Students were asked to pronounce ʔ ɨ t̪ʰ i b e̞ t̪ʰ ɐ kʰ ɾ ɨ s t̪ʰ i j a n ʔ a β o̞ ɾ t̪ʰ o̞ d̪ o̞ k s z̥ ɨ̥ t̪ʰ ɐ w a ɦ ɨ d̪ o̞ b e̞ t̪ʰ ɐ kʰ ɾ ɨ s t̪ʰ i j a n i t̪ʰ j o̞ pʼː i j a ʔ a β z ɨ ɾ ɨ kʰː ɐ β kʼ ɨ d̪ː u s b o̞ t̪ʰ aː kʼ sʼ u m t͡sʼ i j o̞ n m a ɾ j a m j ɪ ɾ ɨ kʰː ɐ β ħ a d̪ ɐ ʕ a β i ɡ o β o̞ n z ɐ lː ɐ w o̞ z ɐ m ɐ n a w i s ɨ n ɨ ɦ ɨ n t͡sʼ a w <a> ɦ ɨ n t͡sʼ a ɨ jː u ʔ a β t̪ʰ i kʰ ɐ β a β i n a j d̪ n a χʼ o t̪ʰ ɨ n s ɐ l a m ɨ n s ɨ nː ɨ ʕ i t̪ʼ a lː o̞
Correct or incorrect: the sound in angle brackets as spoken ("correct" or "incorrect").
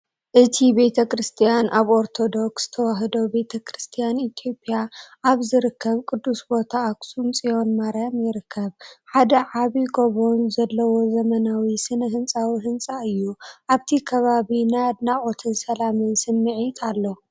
incorrect